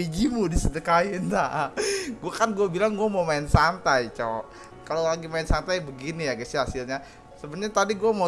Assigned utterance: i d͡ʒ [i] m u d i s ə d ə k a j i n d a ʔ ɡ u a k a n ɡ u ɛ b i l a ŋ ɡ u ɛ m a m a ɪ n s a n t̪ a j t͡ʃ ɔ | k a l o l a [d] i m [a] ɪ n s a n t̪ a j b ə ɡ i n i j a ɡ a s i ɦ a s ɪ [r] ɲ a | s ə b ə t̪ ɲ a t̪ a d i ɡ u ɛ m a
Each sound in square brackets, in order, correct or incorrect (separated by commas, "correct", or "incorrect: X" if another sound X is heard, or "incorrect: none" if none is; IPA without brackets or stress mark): correct, incorrect: ɡ, correct, incorrect: l